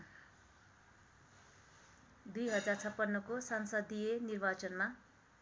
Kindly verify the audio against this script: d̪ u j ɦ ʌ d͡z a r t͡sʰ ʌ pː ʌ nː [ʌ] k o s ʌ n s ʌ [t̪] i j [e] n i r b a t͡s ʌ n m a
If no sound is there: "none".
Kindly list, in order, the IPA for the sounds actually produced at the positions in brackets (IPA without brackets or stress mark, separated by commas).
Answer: ʌ, d̪, e